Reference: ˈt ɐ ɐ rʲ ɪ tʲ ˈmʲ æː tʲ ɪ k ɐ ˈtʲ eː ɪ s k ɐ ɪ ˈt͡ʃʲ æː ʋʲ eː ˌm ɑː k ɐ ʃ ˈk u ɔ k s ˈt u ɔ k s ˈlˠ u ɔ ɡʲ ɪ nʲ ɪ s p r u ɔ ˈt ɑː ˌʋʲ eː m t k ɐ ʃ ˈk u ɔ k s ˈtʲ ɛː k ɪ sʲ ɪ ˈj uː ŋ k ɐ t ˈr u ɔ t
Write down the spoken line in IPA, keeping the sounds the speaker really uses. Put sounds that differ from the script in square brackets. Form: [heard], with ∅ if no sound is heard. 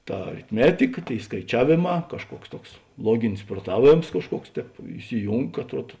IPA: ˈt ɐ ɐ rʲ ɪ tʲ ˈmʲ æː tʲ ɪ k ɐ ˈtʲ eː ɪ s k ɐ ɪ ˈt͡ʃʲ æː ʋʲ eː ˌm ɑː k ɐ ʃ ˈk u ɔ k s ˈt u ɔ k s ˈlˠ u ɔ ɡʲ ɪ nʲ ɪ s p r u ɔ ˈt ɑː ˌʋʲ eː m [s] k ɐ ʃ ˈk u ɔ k s ˈtʲ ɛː [p] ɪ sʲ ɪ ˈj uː ŋ k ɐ t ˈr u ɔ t